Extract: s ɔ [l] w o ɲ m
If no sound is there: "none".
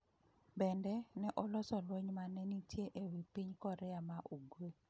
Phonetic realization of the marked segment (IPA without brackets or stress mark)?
l